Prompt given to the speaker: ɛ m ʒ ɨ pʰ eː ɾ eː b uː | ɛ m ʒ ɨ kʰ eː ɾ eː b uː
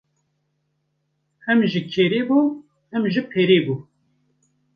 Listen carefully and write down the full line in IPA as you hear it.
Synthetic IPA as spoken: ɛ m ʒ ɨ kʰ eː ɾ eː b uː | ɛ m ʒ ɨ pʰ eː ɾ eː b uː